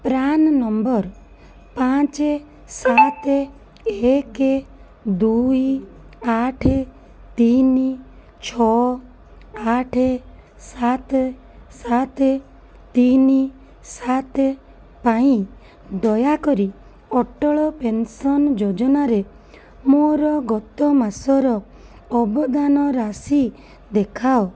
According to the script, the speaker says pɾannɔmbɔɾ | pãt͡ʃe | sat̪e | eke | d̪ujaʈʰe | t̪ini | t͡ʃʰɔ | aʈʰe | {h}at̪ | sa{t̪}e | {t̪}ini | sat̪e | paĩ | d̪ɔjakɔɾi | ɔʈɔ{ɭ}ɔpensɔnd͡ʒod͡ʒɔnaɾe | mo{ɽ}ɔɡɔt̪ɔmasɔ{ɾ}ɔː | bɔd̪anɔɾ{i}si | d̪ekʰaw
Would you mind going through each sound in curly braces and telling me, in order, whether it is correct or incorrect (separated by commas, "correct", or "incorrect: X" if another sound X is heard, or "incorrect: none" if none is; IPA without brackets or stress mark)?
incorrect: s, correct, correct, correct, incorrect: ɾ, correct, incorrect: a